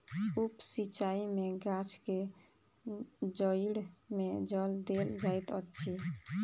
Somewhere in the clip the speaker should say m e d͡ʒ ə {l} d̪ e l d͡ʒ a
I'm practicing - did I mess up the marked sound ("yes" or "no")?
no